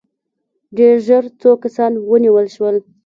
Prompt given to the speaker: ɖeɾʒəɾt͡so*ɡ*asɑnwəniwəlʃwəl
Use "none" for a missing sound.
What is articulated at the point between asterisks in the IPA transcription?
k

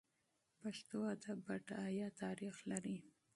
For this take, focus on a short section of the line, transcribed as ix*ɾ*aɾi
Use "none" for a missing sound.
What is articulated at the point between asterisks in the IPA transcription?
l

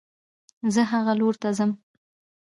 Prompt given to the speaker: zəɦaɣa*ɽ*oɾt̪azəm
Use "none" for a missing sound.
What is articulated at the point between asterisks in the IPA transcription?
l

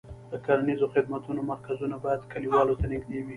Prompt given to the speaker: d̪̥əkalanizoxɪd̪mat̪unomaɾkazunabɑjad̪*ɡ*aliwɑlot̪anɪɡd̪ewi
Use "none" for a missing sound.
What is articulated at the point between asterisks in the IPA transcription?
k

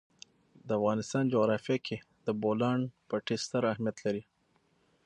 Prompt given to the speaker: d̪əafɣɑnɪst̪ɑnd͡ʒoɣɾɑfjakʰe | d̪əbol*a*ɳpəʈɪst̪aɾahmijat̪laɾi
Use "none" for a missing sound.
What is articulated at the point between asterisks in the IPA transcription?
ɑ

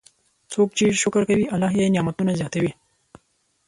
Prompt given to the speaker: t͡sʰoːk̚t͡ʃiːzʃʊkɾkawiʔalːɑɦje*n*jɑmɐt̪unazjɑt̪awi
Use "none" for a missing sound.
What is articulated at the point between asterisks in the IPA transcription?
n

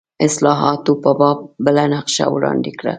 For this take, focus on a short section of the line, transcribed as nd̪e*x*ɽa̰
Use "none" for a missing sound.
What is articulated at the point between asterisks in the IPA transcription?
k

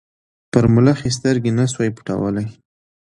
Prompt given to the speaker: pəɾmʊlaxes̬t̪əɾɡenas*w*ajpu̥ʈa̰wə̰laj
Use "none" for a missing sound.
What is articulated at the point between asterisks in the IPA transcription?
w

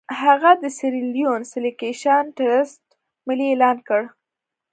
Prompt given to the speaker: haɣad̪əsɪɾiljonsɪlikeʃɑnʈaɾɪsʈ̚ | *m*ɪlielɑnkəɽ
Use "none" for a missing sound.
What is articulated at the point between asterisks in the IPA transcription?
m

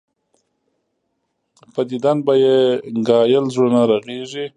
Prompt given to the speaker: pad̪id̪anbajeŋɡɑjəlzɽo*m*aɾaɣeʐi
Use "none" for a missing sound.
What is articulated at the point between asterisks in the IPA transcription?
n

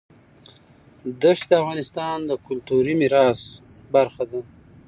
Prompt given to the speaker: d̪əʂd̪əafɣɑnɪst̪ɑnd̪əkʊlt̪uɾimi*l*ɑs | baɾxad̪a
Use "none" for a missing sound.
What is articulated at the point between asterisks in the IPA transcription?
ɾ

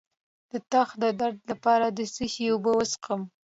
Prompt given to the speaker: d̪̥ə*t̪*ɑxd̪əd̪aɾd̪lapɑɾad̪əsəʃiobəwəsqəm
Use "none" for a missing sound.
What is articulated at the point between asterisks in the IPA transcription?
t̪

